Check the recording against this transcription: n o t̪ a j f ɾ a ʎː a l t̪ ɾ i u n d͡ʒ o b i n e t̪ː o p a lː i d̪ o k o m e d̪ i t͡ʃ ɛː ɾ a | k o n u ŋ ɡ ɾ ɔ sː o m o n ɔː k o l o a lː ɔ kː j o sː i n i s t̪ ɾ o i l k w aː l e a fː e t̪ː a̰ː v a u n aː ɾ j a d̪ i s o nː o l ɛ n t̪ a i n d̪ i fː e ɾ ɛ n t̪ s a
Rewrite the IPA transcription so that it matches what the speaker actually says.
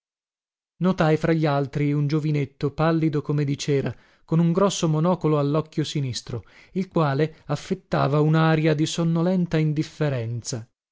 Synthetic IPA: n o t̪ a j f ɾ a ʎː a l t̪ ɾ i u n d͡ʒ o v i n e t̪ː o p a lː i d̪ o k o m e d̪ i t͡ʃ ɛː ɾ a | k o n u ŋ ɡ ɾ ɔ sː o m o n ɔː k o l o a lː ɔ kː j o s i n i s t̪ ɾ o i l k w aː l e a fː e t̪ː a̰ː v a u n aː ɾ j a d̪ i s o nː o l ɛ n t̪ a i n d̪ i fː e ɾ ɛ n t̪ s a